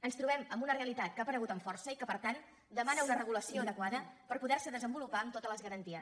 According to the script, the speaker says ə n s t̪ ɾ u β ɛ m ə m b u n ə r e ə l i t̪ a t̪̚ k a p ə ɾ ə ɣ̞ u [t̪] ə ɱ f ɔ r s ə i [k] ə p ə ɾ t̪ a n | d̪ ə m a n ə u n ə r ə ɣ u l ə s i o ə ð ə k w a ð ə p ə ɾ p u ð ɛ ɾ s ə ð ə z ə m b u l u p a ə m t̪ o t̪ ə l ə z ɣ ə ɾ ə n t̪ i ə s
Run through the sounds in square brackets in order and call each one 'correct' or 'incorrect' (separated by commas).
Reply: correct, correct